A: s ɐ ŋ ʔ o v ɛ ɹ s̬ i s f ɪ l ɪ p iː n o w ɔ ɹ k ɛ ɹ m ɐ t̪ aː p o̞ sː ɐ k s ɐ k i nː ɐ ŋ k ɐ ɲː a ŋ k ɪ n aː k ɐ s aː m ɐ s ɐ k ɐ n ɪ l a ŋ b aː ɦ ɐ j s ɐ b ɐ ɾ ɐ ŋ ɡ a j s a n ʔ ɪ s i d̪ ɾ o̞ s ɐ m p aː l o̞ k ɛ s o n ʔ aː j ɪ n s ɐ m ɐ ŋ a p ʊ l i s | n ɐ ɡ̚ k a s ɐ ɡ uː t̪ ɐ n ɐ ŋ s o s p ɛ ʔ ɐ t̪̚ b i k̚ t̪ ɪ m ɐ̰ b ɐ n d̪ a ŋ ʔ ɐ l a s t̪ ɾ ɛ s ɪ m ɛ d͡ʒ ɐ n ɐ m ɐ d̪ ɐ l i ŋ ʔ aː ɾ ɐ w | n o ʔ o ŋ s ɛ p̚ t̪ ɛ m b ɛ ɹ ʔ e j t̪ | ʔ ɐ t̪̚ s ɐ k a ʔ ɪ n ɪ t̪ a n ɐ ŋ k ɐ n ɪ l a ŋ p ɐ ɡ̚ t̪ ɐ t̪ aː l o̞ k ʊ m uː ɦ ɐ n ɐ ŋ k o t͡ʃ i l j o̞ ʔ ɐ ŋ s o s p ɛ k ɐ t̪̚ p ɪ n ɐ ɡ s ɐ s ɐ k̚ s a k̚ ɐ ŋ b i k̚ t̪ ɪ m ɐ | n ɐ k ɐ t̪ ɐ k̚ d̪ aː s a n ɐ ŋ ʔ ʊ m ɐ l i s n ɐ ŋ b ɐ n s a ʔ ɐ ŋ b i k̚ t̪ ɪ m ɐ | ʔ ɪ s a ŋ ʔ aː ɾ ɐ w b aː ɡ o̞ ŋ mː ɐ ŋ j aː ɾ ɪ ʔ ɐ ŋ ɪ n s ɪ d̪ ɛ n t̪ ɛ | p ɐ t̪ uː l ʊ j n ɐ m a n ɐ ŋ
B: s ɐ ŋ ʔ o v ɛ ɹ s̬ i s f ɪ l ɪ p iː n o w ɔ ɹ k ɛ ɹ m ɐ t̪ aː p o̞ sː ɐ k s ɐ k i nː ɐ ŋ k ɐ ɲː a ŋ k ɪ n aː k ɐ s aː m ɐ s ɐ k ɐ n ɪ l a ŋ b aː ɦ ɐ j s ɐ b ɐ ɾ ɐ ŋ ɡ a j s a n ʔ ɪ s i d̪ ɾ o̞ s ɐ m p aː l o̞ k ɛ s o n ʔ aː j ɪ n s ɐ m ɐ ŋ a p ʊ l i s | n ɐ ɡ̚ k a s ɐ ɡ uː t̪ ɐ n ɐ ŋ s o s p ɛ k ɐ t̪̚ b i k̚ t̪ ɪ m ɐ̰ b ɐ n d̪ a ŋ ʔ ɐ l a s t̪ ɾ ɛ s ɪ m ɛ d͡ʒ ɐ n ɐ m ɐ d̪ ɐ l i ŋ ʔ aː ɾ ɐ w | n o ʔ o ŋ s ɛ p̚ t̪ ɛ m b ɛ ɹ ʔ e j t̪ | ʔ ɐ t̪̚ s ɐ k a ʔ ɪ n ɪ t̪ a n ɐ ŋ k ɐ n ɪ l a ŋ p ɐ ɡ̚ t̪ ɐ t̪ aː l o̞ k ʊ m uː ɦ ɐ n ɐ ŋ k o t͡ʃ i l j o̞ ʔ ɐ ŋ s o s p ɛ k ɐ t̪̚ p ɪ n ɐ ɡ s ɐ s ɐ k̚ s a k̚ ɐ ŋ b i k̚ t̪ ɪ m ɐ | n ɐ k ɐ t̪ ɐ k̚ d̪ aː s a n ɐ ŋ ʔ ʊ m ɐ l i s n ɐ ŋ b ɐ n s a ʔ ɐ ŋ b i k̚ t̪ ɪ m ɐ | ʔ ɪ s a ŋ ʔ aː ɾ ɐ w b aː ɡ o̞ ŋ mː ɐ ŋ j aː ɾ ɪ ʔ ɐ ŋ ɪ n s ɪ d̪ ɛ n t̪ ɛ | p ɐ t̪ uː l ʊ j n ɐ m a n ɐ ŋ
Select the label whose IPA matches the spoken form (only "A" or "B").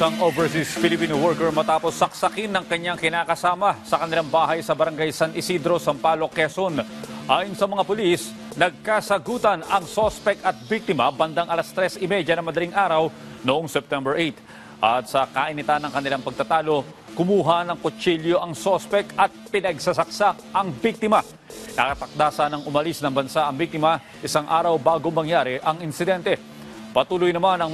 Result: B